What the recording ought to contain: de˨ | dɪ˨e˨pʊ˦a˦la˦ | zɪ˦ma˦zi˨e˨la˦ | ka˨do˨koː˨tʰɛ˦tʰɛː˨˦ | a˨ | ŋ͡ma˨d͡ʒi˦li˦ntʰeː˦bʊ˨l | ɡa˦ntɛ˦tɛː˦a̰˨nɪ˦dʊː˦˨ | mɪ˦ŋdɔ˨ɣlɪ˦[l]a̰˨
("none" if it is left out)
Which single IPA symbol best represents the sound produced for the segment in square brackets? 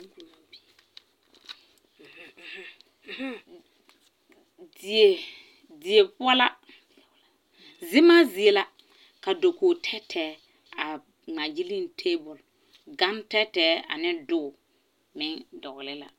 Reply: l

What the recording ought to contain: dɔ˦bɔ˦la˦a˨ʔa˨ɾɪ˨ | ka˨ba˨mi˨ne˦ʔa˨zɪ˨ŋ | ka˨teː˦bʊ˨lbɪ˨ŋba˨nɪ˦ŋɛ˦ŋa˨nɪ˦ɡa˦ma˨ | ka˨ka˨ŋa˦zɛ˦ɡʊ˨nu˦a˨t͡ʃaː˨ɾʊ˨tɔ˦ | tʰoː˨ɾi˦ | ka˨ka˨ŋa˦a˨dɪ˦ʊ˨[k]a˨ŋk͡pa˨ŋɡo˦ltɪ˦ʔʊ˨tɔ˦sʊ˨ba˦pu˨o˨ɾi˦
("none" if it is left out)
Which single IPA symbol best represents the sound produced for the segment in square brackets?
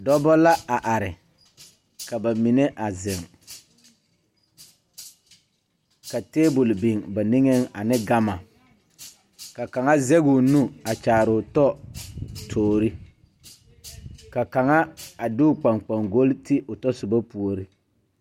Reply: k͡p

